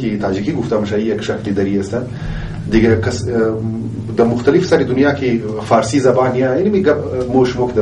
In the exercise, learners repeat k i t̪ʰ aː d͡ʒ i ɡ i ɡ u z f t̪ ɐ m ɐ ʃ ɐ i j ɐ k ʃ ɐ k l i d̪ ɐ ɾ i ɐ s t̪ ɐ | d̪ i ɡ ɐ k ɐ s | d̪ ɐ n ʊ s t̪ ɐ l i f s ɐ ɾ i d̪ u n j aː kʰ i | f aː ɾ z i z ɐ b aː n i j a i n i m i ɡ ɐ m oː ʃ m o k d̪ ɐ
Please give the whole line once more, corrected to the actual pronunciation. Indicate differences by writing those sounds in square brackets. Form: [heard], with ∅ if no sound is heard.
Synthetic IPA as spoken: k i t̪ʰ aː d͡ʒ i [k] i ɡ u [∅] f t̪ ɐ m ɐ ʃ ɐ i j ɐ k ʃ ɐ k l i d̪ ɐ ɾ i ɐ s t̪ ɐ | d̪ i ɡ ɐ k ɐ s | d̪ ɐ [m] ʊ [x] t̪ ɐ l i f s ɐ ɾ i d̪ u n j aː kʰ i | f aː ɾ [s] i z ɐ b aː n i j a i n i m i ɡ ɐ m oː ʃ m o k d̪ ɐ